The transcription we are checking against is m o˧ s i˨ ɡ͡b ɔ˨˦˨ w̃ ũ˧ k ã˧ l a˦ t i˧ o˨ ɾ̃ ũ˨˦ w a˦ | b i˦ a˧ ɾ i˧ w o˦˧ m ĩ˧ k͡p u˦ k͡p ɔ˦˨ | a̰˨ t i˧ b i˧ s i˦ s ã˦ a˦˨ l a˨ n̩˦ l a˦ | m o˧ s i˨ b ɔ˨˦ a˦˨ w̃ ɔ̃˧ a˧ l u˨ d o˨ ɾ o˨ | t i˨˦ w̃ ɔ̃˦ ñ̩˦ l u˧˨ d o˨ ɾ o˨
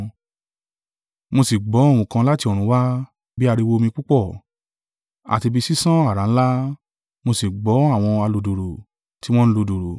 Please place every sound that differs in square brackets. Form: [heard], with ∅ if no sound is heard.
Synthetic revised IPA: m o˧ s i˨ ɡ͡b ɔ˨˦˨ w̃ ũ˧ k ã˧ l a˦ t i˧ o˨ ɾ̃ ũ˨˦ w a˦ | b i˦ a˧ ɾ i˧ w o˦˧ m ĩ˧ k͡p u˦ k͡p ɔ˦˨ | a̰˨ t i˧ b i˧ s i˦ s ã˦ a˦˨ [ɾ] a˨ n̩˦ l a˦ | m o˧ s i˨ [ɡ͡b] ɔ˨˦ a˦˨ w̃ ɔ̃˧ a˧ l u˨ d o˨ ɾ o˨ | t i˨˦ w̃ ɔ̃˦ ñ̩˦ l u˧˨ d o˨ ɾ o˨